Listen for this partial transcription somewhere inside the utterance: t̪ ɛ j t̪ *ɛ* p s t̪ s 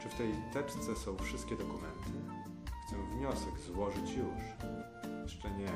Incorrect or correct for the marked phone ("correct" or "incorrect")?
correct